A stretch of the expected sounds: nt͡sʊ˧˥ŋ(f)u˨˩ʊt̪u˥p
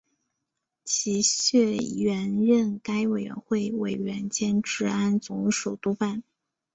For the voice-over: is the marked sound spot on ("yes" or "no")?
no